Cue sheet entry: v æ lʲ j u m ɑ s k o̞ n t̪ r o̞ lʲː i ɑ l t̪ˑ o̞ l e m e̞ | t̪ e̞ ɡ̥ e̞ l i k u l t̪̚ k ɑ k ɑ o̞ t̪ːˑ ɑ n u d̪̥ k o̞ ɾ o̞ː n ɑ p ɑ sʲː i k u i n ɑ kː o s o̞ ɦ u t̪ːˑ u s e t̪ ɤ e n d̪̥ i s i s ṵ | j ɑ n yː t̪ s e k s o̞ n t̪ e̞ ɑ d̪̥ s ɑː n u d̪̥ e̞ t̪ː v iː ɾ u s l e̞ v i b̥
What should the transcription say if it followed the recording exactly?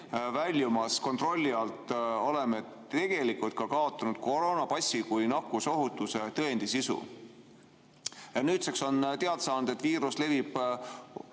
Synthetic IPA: v æ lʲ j u m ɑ s k o̞ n t̪ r o̞ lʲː i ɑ l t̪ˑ o̞ l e m e̞ | t̪ e̞ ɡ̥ e̞ l i k u l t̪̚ k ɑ k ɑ o̞ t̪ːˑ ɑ n u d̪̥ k o̞ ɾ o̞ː n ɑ p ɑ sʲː i k u j n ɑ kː u s o̞ ɦ u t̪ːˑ u s e t̪ ɤ e n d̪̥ i s i s ṵ | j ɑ n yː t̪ s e k s o̞ n t̪ e̞ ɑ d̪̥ s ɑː n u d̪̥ e̞ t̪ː v iː ɾ u s l e̞ v i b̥